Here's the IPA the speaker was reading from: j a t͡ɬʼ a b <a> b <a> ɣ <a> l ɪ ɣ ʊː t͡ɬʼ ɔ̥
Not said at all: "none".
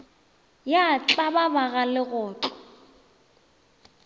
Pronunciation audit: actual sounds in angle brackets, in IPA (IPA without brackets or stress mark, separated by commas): a, a, a